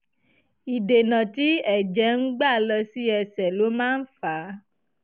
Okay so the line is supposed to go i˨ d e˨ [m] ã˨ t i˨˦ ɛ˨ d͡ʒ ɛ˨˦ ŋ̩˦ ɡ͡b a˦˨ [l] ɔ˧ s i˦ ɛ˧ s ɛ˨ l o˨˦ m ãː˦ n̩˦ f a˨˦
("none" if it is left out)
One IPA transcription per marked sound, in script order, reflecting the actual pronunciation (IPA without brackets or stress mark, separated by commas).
n, l